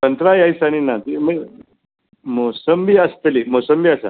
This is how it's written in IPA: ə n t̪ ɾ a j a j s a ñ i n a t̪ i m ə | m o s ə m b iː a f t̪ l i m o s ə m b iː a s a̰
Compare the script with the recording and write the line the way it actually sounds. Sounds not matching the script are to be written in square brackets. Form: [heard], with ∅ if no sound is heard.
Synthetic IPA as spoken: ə n t̪ ɾ a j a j s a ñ i n a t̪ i m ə | m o s ə m b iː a [s] t̪ l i m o s ə m b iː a s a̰